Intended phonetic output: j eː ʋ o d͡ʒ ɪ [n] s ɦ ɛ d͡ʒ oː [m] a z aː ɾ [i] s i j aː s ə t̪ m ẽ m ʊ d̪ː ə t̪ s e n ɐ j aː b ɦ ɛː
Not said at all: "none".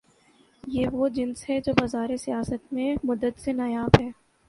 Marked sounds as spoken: n, b, e

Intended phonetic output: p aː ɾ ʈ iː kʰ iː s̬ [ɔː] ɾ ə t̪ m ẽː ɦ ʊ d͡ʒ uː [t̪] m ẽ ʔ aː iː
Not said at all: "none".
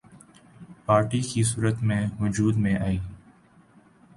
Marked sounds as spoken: uː, d̪

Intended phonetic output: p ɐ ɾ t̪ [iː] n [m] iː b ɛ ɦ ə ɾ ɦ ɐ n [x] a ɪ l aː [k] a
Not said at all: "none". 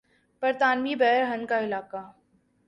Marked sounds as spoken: aː, m, k, k

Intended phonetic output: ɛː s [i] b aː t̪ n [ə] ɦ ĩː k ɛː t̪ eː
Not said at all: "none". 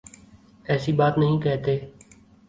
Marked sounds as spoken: iː, ə

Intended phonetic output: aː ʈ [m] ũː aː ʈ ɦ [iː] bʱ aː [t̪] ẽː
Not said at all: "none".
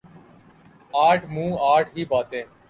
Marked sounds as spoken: m, iː, t̪

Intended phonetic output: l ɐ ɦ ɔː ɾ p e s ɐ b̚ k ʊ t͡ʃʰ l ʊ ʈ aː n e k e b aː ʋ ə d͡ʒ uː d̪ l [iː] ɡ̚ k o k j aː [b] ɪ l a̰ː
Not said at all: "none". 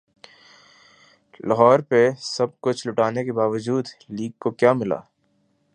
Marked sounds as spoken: iː, m

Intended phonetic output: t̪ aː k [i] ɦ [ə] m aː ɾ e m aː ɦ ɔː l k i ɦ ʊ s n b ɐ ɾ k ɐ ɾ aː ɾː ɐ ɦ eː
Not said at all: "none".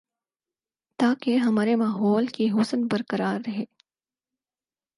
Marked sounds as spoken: e, ɐ

